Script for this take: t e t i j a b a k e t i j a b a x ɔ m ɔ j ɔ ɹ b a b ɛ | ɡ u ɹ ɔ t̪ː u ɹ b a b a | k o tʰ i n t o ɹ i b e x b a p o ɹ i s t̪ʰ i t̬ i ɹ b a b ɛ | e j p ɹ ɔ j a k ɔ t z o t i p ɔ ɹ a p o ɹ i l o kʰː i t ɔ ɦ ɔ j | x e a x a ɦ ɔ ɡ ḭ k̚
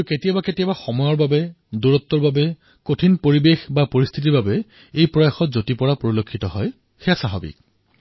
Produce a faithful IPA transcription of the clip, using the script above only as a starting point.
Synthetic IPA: k e t i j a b a k e t i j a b a x ɔ m ɔ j ɔ ɹ b a b ɛ | d u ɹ ɔ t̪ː ɔ ɹ b a b ɛ | k o tʰ i n p o ɹ i b e x b a p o ɹ i s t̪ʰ i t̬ i ɹ b a b ɛ | e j p ɹ ɔ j a x ɔ t z o t i p ɔ ɹ a p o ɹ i l o kʰː i t ɔ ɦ ɔ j | x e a s a ɦ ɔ b ḭ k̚